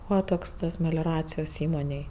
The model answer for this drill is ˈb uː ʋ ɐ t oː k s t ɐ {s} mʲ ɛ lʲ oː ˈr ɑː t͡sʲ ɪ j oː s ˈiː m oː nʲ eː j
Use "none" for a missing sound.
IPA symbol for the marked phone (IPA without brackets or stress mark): s